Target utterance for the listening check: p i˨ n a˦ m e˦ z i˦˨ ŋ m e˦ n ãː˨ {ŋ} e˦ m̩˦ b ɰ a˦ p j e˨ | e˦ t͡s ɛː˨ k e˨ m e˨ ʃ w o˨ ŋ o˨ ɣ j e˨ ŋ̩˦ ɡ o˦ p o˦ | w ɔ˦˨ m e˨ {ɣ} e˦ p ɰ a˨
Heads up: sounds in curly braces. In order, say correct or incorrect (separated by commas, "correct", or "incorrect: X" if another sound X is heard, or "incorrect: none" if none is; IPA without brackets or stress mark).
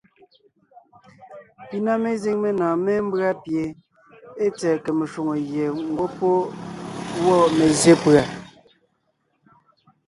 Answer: incorrect: m, incorrect: z